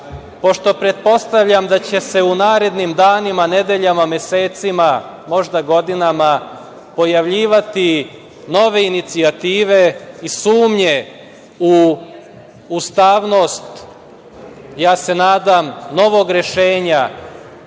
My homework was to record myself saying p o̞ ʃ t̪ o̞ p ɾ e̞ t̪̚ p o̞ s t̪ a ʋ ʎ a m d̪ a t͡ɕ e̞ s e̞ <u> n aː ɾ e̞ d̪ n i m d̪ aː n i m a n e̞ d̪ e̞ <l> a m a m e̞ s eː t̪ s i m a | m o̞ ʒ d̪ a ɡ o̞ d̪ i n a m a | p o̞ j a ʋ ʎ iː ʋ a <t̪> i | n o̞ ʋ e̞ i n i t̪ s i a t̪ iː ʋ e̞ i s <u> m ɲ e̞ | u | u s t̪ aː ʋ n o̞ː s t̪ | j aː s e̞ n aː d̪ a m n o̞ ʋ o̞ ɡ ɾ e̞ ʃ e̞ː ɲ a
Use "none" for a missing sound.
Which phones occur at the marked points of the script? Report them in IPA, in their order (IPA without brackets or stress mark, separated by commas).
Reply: u, ʎ, t̪, uː